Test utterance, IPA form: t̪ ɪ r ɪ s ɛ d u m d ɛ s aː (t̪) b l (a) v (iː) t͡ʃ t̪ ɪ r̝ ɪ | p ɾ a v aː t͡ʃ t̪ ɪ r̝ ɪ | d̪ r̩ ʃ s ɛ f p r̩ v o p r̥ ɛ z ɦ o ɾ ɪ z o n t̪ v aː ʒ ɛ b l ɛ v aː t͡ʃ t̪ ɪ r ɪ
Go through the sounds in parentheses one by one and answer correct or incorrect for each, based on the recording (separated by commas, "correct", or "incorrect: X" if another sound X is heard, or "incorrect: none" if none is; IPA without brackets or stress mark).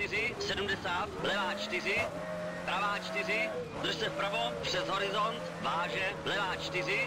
correct, incorrect: ɛ, incorrect: aː